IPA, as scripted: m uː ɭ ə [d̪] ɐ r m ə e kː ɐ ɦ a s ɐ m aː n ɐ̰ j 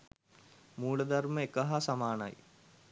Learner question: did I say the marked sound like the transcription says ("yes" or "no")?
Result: yes